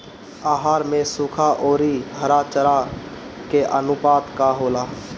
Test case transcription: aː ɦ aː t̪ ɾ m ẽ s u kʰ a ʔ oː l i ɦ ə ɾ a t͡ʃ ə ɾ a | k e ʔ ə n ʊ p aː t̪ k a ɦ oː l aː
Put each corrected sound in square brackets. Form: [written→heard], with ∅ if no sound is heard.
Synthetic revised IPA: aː ɦ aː [t̪→∅] ɾ m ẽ s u kʰ a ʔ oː [l→ɾ] i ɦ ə ɾ a t͡ʃ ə ɾ a | k e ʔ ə n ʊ p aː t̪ k a ɦ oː l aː